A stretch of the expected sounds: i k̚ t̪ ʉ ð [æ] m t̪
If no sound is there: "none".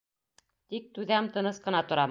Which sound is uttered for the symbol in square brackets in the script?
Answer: æ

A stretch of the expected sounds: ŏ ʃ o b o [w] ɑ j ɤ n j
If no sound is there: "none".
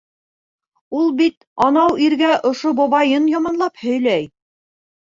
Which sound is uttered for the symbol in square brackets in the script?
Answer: β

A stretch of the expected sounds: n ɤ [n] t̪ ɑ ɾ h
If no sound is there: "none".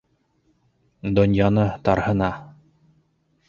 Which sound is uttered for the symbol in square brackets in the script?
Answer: none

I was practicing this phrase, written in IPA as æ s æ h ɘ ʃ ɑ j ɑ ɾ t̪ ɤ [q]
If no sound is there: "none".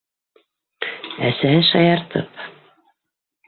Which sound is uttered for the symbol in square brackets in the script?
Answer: p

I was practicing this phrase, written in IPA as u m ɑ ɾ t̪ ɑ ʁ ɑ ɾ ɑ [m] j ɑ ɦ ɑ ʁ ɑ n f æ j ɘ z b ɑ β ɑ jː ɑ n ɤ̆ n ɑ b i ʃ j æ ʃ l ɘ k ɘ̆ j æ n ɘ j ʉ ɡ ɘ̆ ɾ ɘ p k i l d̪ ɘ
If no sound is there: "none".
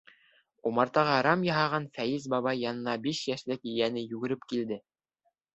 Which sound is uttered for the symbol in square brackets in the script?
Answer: m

